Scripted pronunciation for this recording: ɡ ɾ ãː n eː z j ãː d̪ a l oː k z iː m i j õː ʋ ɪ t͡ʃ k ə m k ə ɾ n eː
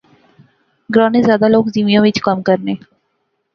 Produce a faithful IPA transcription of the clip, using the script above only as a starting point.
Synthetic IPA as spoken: ɡ ɾ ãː n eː z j aː d̪ a l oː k z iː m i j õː ʋ ɪ t͡ʃ k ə m k ə ɾ n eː